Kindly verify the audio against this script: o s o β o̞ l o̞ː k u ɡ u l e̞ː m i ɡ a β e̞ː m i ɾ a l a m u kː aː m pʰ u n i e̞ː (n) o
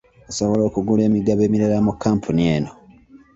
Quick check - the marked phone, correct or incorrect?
correct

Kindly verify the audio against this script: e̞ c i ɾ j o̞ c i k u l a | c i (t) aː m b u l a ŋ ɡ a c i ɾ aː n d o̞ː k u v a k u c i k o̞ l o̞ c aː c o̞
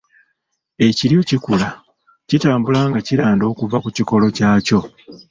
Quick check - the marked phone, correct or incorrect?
correct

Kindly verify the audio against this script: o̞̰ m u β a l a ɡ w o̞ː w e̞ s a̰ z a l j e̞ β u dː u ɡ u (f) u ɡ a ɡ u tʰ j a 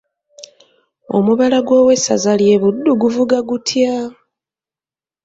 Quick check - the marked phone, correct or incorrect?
incorrect: v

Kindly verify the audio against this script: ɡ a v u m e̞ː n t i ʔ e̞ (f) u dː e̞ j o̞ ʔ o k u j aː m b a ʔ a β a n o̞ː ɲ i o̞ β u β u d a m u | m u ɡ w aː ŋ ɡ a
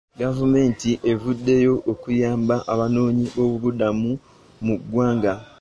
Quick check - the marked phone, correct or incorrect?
incorrect: v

